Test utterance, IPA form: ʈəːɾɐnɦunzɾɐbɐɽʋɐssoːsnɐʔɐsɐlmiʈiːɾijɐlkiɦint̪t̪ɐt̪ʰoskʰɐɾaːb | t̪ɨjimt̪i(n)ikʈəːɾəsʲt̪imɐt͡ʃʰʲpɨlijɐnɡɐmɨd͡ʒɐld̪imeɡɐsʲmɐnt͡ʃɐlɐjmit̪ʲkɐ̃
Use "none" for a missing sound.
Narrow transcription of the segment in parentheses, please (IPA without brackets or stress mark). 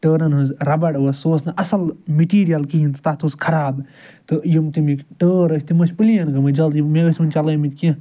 m